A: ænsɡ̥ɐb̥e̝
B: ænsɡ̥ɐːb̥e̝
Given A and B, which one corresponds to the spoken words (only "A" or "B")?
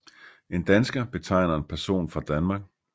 A